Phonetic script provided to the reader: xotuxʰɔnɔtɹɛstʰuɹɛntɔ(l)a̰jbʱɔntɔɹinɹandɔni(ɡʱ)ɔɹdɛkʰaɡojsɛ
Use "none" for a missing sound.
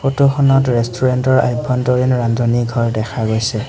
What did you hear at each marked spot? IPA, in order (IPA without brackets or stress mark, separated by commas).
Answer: ɹ, ɡʱ